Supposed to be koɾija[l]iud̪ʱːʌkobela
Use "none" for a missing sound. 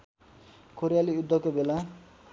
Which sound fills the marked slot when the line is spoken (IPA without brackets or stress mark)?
l